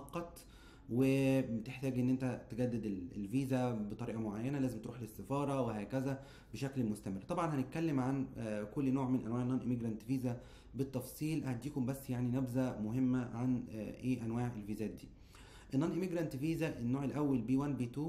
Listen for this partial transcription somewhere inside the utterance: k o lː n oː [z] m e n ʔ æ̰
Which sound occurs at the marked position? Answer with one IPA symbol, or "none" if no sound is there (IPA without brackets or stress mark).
ʕ